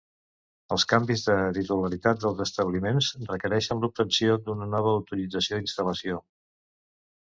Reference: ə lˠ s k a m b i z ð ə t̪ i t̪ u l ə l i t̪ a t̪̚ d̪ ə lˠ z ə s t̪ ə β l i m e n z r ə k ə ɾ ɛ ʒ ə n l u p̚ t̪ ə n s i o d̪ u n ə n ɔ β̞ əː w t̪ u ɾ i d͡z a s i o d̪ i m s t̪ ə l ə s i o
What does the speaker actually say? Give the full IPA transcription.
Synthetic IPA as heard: ə lˠ s k a m b i z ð ə t̪ i t̪ u l ə ɾ i t̪ a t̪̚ d̪ ə lˠ z ə s t̪ ə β l i m e n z r ə k ə ɾ ɛ ʃ ə n l u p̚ t̪ ə n s i o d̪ u n ə n ɔ β̞ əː w t̪ u ɾ i d͡z ə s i o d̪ i n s t̪ ə l ə s i o